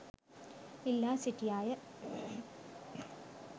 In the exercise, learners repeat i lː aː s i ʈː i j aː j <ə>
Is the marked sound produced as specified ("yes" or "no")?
no